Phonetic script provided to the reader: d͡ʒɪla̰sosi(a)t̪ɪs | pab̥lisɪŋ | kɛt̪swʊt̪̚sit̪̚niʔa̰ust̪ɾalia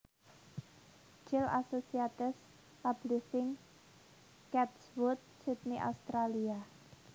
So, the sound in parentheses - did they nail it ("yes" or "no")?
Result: yes